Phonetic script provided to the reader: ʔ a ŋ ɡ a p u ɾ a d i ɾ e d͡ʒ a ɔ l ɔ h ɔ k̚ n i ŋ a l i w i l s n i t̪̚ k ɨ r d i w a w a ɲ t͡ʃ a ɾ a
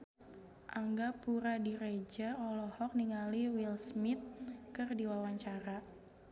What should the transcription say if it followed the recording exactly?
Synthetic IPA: ʔ a ŋ ɡ a p u ɾ a d i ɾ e d͡ʒ a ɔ l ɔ h ɔ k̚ n i ŋ a l i w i l s m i t̪̚ k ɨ r d i w a w a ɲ t͡ʃ a ɾ a